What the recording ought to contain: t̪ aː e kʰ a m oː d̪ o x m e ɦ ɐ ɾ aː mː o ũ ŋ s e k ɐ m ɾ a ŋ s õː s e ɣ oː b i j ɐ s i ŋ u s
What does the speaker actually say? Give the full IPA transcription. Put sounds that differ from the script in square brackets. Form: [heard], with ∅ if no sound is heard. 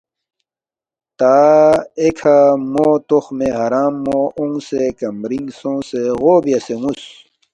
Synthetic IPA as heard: t̪ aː e kʰ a m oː [t̪] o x m e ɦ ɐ ɾ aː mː o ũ ŋ s e k ɐ m ɾ [i] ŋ s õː s e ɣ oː b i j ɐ s [e] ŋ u s

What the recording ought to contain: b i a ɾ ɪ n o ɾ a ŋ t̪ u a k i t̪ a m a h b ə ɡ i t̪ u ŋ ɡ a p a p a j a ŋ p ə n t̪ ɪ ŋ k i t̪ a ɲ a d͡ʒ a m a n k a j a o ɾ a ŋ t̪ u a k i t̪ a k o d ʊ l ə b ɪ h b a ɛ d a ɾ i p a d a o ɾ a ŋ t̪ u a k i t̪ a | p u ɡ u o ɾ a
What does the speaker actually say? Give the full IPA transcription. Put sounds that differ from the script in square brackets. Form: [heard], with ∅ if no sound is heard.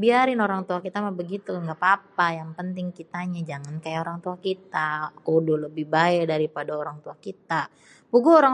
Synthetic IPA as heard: b i a ɾ ɪ n o ɾ a ŋ t̪ u a k i t̪ a m a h b ə ɡ i t̪ u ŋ ɡ a p a p a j a ŋ p ə n t̪ ɪ ŋ k i t̪ a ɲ a d͡ʒ a [ŋ] a n k a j a o ɾ a ŋ t̪ u a k i t̪ a k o d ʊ l ə b ɪ h b a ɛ d a ɾ i p a d a o ɾ a ŋ t̪ u a k i t̪ a | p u ɡ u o ɾ a

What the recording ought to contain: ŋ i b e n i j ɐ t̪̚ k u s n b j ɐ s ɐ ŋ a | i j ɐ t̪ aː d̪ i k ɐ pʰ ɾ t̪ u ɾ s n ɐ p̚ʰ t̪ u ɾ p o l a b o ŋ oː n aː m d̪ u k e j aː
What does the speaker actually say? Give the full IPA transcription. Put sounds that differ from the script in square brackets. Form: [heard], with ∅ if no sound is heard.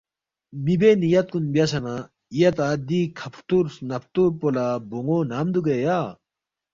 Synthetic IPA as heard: [m] i b e n i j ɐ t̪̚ k u [∅] n b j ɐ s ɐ [n] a | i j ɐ t̪ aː d̪ i [kʰ] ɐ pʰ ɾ t̪ u ɾ s n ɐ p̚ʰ t̪ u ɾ p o l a b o ŋ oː n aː m d̪ u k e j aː

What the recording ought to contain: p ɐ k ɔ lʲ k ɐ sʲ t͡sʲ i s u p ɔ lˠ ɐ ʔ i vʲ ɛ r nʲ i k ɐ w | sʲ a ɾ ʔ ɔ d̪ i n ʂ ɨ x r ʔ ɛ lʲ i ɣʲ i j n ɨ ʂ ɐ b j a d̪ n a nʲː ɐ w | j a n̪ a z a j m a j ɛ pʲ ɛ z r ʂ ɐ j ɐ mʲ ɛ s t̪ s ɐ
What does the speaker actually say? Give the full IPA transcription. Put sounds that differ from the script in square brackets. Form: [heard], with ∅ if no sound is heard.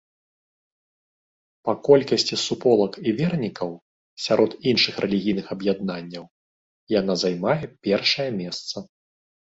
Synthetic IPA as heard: p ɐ k ɔ lʲ k ɐ sʲ t͡sʲ i s u p ɔ lˠ ɐ [k] i vʲ ɛ r nʲ i k ɐ w | sʲ a ɾ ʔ ɔ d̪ i n ʂ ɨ x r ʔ ɛ lʲ i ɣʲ i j n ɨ [x] ɐ b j a d̪ n a nʲː ɐ w | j a n̪ a z a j m a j ɛ pʲ ɛ [∅] r ʂ ɐ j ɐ mʲ ɛ s t̪ s ɐ

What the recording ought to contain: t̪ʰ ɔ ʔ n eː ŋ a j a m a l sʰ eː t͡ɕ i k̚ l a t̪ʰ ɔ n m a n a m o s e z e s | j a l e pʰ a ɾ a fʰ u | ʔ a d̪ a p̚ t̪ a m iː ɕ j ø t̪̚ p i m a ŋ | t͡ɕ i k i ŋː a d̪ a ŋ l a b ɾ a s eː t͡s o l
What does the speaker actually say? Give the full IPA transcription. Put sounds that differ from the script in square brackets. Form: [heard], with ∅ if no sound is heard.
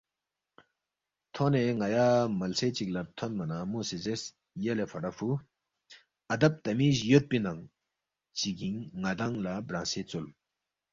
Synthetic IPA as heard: t̪ʰ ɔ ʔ n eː ŋ a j a m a l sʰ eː t͡ɕ i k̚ l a t̪ʰ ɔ n m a n a m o s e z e s | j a l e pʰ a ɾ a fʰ u | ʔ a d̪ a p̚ t̪ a m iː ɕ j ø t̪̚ p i [n] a ŋ | t͡ɕ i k i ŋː a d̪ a ŋ l a b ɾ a s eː t͡s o l

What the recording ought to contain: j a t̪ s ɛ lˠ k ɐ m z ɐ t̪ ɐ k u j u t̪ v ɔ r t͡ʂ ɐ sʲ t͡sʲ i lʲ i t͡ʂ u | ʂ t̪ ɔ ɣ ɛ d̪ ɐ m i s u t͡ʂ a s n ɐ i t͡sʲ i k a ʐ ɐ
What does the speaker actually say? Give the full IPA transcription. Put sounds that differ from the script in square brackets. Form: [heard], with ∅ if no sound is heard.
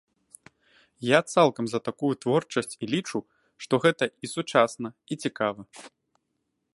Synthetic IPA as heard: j a t̪ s [a] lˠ k ɐ m z ɐ t̪ [a] k u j u t̪ v ɔ r t͡ʂ ɐ sʲ t͡sʲ i lʲ i t͡ʂ u | ʂ t̪ ɔ ɣ ɛ [t̪] ɐ [∅] i s u t͡ʂ a s n ɐ i t͡sʲ i k a [v] ɐ

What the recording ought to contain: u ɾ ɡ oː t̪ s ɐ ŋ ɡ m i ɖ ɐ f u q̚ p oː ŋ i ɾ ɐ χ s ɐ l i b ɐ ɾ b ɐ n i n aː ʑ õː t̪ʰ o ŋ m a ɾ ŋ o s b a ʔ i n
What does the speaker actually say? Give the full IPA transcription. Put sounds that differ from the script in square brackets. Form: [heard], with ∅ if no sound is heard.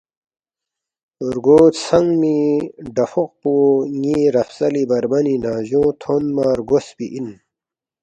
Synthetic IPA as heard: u ɾ ɡ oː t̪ s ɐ ŋ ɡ m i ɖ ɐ f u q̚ p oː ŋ i ɾ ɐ [f] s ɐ l i b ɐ ɾ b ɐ n i n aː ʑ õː t̪ʰ o [n] m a ɾ [ɡ] o s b [i] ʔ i n

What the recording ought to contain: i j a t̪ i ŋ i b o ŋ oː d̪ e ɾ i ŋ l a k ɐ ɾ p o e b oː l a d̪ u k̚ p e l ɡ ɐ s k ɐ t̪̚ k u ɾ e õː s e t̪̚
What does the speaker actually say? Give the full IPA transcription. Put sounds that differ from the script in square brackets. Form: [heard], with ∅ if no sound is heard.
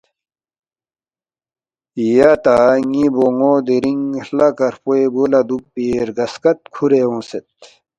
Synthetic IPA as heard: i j a t̪ [a] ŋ i b o ŋ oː d̪ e ɾ i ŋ l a k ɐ ɾ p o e b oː l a d̪ u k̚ p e [ɾ] ɡ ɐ s k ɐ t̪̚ [kʰ] u ɾ e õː s e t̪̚

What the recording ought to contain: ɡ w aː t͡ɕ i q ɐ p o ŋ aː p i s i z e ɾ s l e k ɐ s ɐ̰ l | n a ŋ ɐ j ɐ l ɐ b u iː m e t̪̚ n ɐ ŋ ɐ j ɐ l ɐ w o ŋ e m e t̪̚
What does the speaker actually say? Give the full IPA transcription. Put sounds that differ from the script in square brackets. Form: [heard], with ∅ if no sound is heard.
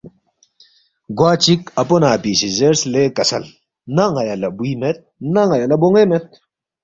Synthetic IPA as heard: ɡ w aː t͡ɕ i [k] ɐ p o [n] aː p i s i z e ɾ s l e k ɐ s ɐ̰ l | n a ŋ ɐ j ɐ l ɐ b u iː m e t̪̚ n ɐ ŋ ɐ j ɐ l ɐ [b] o ŋ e m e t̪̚

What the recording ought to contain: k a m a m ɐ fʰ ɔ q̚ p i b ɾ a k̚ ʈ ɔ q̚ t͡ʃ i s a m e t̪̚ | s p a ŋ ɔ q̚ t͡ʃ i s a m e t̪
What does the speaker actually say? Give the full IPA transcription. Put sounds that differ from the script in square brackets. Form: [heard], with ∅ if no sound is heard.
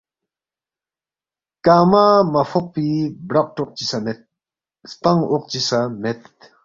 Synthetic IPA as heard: k a m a m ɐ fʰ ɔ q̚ p i b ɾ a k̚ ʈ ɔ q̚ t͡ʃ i s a m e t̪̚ | s p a ŋ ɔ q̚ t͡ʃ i s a m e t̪

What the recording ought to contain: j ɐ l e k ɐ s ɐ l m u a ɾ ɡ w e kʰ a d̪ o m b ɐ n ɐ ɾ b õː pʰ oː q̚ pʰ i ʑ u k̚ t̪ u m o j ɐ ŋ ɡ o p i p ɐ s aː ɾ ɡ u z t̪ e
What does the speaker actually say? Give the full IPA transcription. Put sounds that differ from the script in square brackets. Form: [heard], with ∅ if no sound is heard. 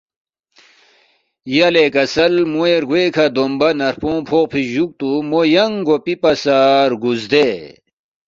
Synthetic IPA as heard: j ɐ l e k ɐ s ɐ l m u [e] ɾ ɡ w e kʰ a d̪ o m b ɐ n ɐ ɾ [p] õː pʰ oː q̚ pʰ i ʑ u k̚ t̪ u m o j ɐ ŋ ɡ o p i p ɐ s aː ɾ ɡ u z [d̪] e

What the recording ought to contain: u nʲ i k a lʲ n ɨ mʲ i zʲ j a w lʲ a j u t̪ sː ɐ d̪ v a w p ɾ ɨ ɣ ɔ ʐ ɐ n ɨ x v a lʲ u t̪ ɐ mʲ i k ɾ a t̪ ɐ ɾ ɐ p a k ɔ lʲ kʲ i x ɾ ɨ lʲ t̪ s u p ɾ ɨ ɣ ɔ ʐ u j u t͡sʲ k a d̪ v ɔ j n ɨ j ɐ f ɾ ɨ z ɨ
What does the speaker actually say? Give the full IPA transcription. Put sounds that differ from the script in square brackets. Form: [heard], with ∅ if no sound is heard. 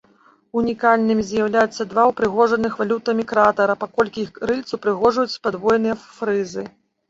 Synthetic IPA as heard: u nʲ i k a lʲ n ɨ mʲ i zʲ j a w lʲ a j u t̪ sː ɐ d̪ v a w p ɾ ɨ ɣ ɔ ʐ ɐ n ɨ x v a lʲ u t̪ ɐ mʲ i k ɾ a t̪ ɐ ɾ ɐ p a k ɔ lʲ kʲ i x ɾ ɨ lʲ t̪ s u p ɾ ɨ ɣ ɔ ʐ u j u t͡sʲ [p] a d̪ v ɔ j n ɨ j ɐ f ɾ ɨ z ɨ

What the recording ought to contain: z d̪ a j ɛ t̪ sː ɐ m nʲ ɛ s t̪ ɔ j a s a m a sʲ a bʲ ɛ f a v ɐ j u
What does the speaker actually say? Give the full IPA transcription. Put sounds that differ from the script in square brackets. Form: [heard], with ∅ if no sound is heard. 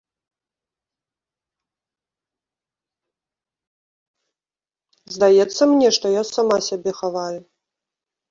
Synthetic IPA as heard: z d̪ a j ɛ t̪ sː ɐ m nʲ ɛ [ʂ] t̪ ɔ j a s a m a sʲ a bʲ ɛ [x] a v [a] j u

